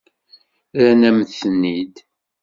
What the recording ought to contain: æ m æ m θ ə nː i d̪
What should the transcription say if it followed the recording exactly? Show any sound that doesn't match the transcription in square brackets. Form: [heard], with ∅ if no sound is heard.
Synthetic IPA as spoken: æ [n] æ m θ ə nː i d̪